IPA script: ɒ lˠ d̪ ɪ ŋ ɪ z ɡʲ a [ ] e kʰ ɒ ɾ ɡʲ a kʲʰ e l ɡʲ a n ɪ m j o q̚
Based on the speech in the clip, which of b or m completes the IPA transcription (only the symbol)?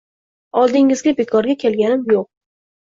b